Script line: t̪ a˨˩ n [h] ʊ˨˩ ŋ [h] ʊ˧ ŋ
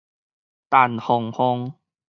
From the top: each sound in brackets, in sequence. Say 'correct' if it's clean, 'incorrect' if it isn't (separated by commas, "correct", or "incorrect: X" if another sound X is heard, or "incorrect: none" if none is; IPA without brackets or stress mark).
correct, correct